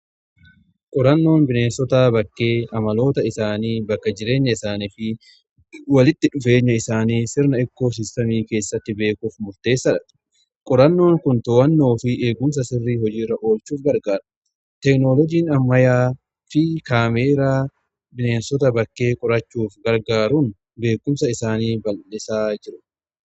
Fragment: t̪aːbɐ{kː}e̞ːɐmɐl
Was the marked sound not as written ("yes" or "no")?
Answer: no